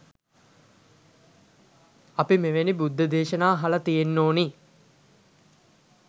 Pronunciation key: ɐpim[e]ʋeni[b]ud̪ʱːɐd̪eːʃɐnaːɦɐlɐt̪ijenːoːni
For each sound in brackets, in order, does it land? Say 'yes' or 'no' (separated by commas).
yes, yes